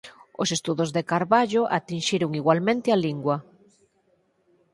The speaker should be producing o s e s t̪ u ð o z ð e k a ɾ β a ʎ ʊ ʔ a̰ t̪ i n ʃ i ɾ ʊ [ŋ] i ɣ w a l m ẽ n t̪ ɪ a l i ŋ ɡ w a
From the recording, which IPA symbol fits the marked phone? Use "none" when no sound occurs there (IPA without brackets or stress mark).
ŋ